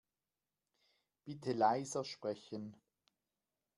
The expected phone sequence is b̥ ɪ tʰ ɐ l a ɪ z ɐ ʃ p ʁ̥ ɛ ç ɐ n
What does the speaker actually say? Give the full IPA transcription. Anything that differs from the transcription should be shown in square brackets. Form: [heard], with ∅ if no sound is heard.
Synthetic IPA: b̥ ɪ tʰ [ə] l a ɪ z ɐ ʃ p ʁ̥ ɛ ç [ə] n